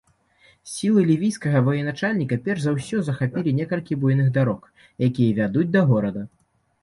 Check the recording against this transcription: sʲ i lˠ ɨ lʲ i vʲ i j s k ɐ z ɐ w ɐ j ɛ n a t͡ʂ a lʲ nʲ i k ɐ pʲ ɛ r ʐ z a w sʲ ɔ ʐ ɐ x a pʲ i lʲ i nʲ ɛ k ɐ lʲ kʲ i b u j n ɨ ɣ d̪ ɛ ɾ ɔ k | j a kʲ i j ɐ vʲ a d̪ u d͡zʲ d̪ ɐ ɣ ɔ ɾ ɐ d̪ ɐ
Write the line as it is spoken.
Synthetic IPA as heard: sʲ i lˠ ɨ lʲ i vʲ i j s k ɐ ɣ ɐ v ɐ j ɛ n a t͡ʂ a lʲ nʲ i k ɐ pʲ ɛ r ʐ z a w sʲ ɔ z ɐ x a pʲ i lʲ i nʲ ɛ k ɐ lʲ kʲ i b u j n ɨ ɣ d̪ a ɾ ɔ k | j a kʲ i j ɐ vʲ a d̪ u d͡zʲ d̪ ɐ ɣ ɔ ɾ ɐ d̪ ɐ